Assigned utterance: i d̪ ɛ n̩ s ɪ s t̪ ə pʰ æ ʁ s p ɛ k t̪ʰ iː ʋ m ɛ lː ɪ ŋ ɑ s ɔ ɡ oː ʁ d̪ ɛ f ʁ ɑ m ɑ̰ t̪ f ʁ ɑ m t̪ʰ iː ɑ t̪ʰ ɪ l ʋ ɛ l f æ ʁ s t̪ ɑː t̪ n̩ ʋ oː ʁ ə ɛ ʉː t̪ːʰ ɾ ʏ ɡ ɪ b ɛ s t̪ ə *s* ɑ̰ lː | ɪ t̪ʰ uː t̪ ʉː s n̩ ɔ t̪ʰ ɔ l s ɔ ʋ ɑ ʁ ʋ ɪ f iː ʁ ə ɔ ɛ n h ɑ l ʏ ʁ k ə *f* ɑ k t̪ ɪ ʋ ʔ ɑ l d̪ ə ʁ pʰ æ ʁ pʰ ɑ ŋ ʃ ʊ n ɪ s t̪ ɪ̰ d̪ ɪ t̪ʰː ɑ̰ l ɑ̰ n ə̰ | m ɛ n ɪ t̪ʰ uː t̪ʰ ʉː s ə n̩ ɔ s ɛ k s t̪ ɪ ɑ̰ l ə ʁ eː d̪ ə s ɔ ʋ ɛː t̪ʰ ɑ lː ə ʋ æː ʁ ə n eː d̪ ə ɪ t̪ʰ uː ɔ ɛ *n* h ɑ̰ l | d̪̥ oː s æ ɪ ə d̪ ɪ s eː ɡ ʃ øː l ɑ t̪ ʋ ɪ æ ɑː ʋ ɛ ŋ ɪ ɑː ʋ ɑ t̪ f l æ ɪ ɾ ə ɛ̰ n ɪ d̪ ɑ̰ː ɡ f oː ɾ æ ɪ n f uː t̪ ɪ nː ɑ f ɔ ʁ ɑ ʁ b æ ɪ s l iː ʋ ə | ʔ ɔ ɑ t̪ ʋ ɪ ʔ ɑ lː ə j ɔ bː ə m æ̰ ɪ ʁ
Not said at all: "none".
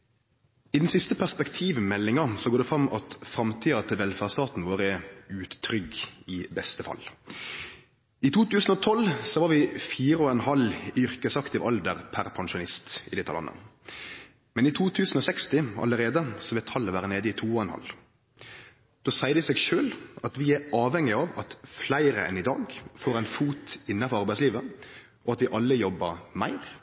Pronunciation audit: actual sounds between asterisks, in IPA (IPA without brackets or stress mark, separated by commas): f, s, n